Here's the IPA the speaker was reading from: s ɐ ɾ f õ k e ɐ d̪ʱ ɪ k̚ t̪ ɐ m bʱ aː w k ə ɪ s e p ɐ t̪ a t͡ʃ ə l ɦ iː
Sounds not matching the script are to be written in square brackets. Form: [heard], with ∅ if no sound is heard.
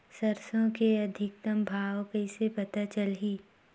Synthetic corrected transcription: s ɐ ɾ [s] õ k e ɐ d̪ʱ ɪ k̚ t̪ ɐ m bʱ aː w k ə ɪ s e p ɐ t̪ a t͡ʃ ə l ɦ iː